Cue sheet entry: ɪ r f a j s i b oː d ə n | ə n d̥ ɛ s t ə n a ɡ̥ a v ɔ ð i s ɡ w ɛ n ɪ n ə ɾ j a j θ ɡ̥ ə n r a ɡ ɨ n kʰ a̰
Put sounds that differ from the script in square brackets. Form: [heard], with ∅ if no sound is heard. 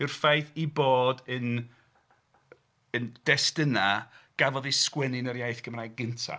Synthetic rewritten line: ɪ r f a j [θ] i b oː d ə n | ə n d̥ ɛ s t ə n a ɡ̥ a v ɔ ð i s [k] w ɛ n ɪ n ə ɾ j a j θ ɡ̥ ə [m] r a ɡ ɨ n [tʰ] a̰